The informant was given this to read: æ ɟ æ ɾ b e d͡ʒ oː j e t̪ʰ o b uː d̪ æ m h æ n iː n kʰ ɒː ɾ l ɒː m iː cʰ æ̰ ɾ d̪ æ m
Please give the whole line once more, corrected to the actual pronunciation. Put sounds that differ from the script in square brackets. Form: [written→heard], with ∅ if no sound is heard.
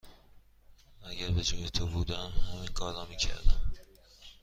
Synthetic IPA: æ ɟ æ ɾ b e d͡ʒ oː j e t̪ʰ o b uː d̪ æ m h æ [n→m] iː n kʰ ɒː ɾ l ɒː m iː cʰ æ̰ ɾ d̪ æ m